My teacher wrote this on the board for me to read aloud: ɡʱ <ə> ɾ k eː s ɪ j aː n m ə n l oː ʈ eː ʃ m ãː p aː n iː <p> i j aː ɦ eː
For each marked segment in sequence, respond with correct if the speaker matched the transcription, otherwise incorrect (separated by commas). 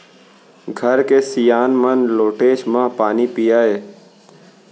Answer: correct, correct